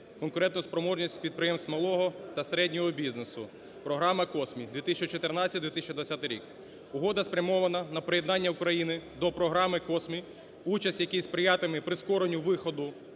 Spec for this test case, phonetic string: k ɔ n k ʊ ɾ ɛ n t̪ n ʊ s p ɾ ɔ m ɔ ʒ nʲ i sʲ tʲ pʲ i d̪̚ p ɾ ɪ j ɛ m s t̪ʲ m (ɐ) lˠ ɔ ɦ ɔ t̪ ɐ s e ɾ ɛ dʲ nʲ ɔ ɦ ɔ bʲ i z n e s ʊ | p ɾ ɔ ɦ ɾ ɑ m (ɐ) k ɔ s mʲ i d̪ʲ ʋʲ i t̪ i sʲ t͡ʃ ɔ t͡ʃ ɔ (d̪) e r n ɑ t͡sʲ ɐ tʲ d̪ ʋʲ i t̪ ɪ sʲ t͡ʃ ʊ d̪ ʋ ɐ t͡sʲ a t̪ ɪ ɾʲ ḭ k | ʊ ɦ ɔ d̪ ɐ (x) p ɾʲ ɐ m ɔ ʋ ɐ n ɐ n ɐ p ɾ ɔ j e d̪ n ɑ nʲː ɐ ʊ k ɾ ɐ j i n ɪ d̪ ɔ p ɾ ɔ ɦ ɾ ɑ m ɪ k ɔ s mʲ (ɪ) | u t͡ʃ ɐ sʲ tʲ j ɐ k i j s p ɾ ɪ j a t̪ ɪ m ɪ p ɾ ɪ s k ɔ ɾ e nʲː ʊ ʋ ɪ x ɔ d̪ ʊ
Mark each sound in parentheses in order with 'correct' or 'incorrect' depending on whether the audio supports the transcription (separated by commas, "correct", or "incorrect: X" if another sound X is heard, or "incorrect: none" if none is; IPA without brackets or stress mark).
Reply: correct, correct, incorrect: t̪, incorrect: s, incorrect: i